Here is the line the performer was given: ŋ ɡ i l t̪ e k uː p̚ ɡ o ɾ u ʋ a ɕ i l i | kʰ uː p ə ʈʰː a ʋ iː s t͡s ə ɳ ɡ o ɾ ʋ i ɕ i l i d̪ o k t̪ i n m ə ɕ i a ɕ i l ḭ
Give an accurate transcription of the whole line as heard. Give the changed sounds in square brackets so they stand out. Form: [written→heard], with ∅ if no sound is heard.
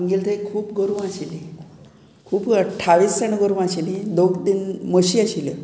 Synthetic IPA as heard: ŋ ɡ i l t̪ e [k→kʰ] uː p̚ ɡ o ɾ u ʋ a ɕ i l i | kʰ uː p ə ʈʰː a ʋ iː s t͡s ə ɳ ɡ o ɾ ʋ [i→a] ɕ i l i d̪ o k [t̪→d̪] i n m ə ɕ i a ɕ i l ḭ